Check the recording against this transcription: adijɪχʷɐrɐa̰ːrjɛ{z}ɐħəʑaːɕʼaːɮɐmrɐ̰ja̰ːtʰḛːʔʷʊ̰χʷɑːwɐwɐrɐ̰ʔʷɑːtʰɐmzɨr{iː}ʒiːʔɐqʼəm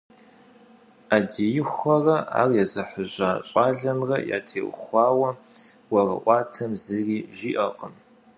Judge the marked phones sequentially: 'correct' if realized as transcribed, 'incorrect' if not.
correct, correct

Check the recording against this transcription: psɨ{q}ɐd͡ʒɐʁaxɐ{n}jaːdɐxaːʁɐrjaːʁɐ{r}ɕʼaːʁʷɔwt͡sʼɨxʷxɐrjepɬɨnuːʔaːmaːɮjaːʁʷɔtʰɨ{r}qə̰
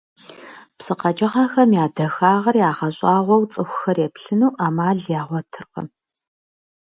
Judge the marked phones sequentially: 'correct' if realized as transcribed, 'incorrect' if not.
correct, incorrect: m, incorrect: none, correct

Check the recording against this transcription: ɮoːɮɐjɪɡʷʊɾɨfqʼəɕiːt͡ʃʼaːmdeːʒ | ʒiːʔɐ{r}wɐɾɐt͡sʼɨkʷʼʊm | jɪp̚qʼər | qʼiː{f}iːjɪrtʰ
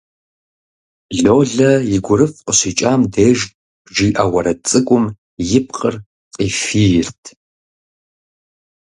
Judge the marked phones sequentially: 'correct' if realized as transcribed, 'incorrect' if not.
incorrect: none, correct

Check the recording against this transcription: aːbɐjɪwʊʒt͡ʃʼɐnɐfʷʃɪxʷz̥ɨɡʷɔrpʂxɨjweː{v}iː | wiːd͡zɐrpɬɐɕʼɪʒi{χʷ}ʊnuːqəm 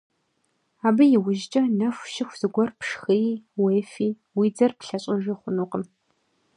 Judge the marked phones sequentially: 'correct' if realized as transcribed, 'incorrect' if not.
incorrect: f, correct

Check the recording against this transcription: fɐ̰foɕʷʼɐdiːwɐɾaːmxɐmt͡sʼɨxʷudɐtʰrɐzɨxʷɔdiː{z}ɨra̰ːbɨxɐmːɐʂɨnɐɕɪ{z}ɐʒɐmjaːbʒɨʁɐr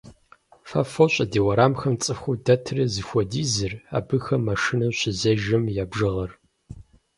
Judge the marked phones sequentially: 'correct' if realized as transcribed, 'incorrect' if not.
correct, correct

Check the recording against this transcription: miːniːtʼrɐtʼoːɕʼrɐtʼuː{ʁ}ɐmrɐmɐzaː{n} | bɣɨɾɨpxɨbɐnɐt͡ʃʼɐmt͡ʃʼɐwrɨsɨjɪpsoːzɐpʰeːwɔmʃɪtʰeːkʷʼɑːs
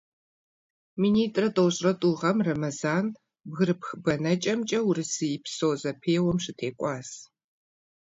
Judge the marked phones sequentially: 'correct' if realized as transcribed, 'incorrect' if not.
correct, correct

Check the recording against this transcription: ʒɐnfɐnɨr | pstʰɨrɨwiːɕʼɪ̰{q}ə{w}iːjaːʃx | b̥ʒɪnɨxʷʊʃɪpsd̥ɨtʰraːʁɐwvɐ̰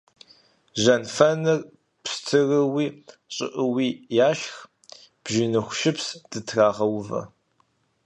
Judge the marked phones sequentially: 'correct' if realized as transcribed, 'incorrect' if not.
incorrect: ʔ, correct

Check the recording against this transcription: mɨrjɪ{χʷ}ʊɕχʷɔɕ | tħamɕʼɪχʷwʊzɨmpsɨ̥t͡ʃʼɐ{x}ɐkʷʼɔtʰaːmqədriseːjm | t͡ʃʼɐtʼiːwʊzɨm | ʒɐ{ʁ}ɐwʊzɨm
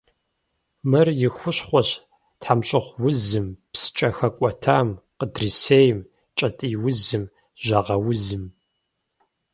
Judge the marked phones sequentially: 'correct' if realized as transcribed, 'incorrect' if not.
incorrect: xʷ, correct, correct

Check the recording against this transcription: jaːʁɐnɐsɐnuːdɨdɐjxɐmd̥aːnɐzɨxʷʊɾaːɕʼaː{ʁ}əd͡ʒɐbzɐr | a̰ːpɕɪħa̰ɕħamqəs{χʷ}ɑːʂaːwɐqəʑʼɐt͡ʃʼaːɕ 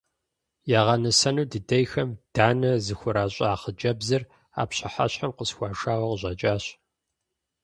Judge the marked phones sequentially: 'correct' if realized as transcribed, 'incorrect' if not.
incorrect: χ, incorrect: xʷ

